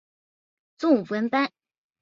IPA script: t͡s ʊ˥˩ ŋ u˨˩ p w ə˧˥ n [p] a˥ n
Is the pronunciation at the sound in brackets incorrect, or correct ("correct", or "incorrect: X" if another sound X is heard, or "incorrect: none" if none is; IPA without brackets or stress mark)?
correct